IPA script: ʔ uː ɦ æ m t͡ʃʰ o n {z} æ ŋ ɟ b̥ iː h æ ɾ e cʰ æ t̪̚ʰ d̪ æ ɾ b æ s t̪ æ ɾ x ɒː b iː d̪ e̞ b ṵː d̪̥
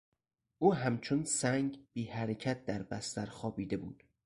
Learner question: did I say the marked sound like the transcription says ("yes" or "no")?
no